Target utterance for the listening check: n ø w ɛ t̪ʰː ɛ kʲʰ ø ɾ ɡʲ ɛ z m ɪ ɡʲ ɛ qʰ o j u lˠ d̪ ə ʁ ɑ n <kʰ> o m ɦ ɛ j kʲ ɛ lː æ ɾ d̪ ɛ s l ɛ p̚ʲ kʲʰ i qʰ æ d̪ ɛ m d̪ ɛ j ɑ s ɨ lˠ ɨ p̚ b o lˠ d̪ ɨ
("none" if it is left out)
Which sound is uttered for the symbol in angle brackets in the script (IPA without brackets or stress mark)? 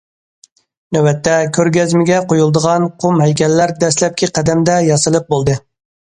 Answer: qʰ